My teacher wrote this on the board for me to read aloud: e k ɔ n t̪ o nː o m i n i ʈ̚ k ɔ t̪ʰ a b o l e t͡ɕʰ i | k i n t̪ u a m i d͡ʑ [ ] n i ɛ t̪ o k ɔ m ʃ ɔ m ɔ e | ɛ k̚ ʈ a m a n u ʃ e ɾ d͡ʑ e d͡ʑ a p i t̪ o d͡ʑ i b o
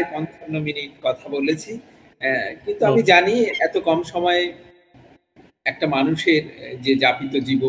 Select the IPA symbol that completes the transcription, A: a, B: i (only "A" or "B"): A